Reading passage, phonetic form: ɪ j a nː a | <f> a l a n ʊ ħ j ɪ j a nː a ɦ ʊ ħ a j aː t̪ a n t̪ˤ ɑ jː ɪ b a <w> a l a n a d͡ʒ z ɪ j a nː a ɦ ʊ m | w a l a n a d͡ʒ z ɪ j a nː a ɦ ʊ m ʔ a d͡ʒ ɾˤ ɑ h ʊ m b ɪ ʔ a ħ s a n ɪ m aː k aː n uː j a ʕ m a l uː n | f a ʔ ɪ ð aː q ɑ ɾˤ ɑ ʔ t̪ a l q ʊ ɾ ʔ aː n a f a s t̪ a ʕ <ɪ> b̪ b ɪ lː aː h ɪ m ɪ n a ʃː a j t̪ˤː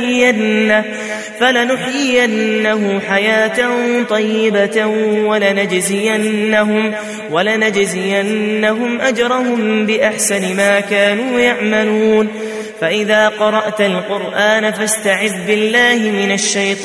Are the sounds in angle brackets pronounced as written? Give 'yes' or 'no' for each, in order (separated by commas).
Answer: yes, yes, yes